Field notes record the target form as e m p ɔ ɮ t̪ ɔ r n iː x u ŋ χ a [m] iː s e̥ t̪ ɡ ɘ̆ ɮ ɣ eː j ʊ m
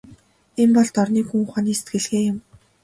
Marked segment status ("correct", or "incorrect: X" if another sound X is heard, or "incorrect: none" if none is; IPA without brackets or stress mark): incorrect: n